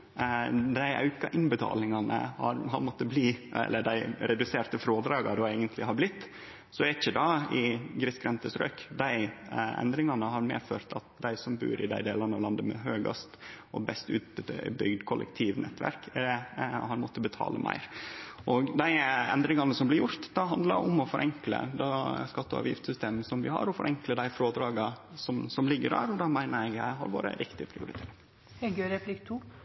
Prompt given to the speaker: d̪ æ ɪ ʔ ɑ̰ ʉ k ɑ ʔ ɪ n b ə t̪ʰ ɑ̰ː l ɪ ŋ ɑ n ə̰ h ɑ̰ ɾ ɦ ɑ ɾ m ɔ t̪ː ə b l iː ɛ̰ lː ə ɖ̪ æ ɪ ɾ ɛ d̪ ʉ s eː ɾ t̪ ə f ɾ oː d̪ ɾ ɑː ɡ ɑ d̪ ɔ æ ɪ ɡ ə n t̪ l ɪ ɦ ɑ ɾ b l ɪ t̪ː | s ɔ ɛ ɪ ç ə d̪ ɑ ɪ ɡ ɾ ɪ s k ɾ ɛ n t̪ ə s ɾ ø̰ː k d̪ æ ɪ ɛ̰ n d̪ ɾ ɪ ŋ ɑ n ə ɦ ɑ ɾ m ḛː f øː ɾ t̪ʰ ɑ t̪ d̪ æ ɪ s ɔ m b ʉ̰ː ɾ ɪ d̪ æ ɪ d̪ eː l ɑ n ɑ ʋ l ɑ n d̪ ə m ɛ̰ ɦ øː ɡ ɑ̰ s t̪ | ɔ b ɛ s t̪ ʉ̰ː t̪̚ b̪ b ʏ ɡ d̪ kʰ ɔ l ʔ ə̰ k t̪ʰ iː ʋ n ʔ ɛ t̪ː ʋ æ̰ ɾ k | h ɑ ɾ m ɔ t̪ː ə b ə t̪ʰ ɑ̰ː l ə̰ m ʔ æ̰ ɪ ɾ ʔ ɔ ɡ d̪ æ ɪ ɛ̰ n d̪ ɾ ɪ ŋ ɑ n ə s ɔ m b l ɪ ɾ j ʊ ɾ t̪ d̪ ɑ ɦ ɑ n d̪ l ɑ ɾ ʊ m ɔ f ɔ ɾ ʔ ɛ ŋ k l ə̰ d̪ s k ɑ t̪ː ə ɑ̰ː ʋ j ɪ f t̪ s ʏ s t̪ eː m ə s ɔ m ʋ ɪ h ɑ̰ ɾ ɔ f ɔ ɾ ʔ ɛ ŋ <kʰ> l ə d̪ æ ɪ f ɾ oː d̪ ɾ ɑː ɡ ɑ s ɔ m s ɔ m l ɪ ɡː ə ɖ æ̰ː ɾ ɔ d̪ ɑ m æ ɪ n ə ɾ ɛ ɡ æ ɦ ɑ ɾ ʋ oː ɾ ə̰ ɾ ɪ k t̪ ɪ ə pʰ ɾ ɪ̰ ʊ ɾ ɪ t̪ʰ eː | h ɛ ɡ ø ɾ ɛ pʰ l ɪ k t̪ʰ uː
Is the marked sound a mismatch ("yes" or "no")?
yes